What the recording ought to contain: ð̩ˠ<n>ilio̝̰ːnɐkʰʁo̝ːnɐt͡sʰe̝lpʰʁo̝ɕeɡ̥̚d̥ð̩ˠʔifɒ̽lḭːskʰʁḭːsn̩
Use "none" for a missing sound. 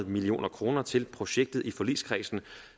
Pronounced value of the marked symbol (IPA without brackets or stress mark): m